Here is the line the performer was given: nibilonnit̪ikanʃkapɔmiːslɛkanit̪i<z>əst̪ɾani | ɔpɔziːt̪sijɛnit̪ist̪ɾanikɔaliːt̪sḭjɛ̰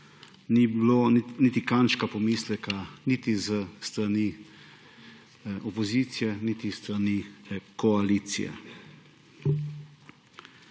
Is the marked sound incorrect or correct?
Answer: correct